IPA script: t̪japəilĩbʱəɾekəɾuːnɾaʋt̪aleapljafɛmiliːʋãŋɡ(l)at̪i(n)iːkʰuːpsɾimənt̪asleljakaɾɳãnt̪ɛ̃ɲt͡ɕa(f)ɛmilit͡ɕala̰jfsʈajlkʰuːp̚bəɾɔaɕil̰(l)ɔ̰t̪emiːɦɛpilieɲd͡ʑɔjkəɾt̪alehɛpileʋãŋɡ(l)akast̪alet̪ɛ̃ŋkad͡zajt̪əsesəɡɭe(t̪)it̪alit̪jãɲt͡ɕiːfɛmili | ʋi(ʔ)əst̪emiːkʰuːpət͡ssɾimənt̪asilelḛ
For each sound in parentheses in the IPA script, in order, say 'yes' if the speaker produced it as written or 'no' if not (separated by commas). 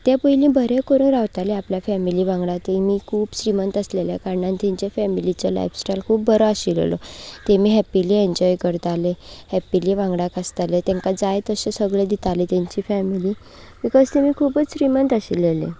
no, no, yes, yes, no, no, no